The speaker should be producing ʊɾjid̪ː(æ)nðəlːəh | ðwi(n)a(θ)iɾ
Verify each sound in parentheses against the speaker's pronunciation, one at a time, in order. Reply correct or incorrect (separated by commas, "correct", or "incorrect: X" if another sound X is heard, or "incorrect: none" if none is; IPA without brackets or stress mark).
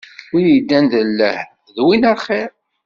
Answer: correct, correct, incorrect: χ